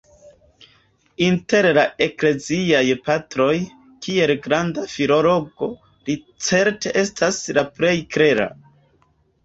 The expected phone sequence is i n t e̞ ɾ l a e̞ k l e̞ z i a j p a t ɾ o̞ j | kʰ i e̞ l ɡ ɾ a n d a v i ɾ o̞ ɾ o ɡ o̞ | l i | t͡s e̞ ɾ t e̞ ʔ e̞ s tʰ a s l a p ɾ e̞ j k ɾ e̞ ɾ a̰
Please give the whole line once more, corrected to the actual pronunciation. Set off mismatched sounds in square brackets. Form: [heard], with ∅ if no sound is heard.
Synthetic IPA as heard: i n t e̞ ɾ l a e̞ k l e̞ z i a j p a t ɾ o̞ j | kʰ i e̞ l ɡ ɾ a n d a [f] i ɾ o̞ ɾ o ɡ o̞ | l i | t͡s e̞ ɾ t e̞ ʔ e̞ s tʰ a s l a p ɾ e̞ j k ɾ e̞ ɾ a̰